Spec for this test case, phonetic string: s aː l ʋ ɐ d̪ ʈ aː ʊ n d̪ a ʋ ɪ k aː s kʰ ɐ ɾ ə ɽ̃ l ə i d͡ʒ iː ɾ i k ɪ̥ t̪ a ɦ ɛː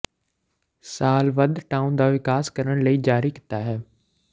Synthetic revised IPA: s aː l ʋ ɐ d̪ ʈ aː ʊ n d̪ a ʋ ɪ k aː s k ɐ ɾ ə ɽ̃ l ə i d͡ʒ aː ɾ i k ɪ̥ t̪ a ɦ ɛː